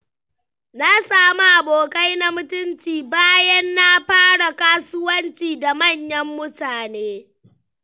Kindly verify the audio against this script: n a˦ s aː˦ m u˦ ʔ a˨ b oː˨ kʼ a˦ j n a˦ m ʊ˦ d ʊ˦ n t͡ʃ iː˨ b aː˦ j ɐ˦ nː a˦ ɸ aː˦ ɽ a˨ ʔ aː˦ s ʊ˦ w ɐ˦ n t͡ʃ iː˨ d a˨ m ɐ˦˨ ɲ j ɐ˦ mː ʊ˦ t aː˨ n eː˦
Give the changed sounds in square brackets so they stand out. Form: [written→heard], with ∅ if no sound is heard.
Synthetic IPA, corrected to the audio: n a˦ s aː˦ m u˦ ʔ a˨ b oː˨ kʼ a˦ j n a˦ m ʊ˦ [d→t] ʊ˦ n t͡ʃ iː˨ b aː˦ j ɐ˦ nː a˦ ɸ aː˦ ɽ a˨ [ʔ→k] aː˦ s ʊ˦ w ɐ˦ n t͡ʃ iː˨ d a˨ m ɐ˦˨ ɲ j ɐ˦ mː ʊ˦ t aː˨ n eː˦